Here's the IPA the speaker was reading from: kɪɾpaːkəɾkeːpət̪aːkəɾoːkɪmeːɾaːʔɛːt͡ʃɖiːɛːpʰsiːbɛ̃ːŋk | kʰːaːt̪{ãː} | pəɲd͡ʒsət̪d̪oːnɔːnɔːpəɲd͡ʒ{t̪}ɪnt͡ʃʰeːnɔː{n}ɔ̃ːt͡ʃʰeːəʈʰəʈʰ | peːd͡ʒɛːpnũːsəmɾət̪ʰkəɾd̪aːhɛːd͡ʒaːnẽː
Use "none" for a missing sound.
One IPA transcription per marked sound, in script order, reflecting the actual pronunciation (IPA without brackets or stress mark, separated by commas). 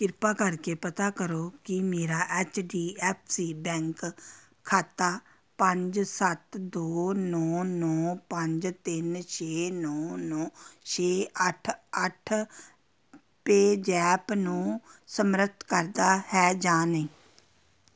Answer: aː, t̪, n